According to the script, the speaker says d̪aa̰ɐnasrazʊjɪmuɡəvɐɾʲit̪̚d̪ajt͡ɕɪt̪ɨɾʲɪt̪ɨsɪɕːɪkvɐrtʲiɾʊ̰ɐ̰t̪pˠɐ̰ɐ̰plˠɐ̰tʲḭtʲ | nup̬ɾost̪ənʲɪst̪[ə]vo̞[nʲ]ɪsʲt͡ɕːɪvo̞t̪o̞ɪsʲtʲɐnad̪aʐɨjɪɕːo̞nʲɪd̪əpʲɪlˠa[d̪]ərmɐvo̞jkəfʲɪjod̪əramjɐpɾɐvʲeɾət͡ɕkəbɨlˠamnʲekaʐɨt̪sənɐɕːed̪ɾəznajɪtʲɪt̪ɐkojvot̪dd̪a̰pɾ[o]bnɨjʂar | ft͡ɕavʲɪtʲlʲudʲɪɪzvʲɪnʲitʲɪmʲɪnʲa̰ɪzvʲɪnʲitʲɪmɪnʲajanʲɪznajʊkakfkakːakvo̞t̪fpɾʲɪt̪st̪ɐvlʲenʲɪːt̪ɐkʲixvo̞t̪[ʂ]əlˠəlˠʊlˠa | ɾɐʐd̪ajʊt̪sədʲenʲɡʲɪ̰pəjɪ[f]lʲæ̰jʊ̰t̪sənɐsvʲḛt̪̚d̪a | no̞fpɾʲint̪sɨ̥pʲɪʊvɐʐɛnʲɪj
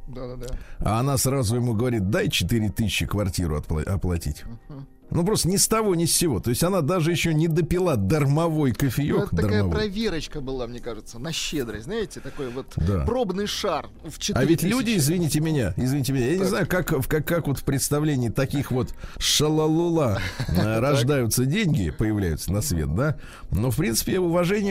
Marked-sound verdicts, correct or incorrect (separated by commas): incorrect, correct, correct, correct, correct, incorrect